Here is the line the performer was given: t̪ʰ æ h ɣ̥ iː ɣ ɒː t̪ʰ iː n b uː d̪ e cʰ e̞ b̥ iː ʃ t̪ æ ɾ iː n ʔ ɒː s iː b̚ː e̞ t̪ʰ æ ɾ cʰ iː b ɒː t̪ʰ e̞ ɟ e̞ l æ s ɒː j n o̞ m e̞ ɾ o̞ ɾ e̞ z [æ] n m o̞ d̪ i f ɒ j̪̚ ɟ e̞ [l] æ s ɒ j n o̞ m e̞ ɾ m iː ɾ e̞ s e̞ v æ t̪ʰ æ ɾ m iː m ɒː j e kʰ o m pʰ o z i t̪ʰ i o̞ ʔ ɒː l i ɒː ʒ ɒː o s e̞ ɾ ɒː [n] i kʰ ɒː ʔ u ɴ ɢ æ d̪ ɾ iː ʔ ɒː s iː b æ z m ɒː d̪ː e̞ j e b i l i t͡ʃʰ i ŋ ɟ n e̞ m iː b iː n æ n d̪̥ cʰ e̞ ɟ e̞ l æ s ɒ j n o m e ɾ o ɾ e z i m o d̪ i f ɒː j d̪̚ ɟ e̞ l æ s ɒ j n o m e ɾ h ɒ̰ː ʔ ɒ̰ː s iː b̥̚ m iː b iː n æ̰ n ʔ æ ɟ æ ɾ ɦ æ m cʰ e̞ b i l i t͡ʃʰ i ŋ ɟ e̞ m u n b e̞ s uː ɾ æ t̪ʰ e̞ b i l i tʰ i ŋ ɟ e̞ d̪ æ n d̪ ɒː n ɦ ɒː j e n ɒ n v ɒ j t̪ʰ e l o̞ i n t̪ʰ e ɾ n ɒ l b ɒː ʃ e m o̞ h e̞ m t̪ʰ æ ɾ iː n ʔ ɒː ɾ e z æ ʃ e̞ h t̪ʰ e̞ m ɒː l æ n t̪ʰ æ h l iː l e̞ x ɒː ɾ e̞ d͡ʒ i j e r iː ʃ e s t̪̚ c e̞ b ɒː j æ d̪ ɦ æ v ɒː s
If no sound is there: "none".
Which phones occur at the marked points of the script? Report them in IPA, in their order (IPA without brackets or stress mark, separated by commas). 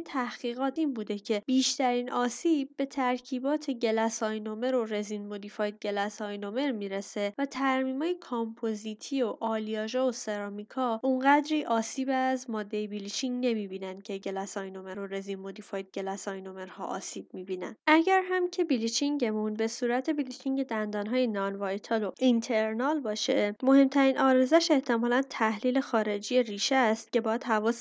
i, l, m